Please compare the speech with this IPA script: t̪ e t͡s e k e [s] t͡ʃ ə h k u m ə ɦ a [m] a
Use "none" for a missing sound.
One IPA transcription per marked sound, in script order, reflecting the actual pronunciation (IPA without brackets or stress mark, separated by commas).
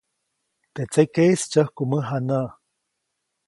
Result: s, n